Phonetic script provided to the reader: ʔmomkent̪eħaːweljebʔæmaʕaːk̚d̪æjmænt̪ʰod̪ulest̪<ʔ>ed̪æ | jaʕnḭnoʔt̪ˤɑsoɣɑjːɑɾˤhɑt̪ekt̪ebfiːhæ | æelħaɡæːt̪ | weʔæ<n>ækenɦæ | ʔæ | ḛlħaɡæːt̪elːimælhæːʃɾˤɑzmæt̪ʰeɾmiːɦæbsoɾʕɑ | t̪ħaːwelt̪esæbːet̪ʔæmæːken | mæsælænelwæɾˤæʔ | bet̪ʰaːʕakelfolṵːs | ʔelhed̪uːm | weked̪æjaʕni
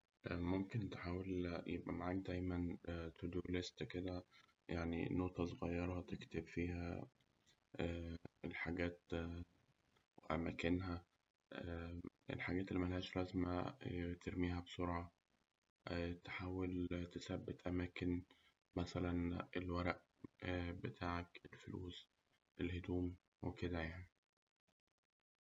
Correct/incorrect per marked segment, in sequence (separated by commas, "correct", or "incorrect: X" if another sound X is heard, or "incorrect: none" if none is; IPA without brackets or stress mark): incorrect: k, incorrect: m